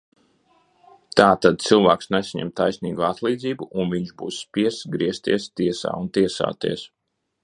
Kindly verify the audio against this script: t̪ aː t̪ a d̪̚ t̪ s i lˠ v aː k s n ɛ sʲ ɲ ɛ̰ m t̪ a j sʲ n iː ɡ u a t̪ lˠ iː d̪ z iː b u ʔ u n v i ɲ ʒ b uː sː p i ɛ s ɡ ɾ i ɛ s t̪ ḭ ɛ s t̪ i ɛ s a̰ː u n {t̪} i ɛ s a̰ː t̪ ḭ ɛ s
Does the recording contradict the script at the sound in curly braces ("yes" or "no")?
no